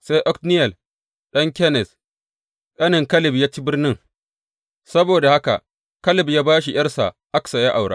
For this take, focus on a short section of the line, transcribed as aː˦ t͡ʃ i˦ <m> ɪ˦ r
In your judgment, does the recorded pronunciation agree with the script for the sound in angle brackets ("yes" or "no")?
no